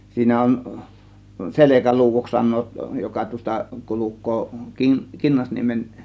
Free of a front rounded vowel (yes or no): yes